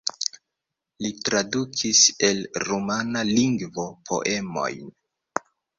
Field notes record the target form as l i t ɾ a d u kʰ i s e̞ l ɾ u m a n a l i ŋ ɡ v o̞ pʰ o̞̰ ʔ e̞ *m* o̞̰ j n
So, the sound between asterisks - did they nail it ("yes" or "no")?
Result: yes